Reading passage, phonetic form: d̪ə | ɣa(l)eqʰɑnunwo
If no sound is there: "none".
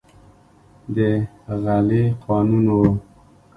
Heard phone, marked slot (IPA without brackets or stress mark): l